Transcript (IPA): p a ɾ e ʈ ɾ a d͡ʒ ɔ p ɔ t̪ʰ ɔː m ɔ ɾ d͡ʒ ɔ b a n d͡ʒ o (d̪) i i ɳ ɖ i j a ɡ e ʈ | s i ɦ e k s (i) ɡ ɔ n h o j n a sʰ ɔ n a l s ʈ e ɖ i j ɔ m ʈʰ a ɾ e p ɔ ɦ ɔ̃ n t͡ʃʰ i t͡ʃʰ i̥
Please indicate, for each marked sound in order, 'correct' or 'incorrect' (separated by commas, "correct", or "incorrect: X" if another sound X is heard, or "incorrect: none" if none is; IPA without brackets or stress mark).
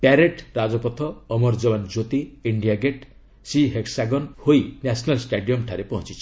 incorrect: t̪, incorrect: a